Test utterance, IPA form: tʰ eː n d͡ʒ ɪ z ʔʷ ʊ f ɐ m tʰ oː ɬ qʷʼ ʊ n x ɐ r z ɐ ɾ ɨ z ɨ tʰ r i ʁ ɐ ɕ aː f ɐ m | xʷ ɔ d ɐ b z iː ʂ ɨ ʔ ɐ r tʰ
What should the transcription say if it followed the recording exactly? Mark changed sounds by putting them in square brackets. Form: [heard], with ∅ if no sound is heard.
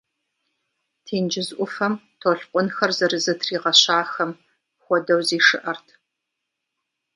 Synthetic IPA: tʰ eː n d͡ʒ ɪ z ʔʷ ʊ f ɐ m tʰ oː ɬ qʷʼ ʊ n x ɐ r z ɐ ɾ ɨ z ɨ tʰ r [iː] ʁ ɐ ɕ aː [x] ɐ m | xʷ ɔ d ɐ [w] z iː ʂ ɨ ʔ ɐ r tʰ